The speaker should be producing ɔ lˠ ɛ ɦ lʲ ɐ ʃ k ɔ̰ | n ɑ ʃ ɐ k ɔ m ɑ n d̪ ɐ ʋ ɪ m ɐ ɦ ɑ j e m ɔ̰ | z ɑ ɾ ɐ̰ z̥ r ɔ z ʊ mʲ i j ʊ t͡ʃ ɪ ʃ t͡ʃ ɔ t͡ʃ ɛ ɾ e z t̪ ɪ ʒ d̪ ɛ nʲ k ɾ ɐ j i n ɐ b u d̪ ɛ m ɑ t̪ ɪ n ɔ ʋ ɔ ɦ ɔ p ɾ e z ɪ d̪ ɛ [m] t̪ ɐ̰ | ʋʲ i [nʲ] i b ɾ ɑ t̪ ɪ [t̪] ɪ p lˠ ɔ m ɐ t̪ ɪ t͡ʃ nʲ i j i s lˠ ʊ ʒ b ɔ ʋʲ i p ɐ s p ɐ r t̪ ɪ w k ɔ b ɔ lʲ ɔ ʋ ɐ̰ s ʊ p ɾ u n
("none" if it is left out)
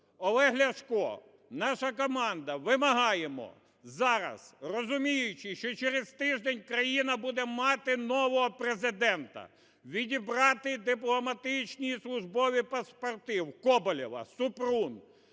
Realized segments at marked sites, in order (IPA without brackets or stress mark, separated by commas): n, dʲ, d̪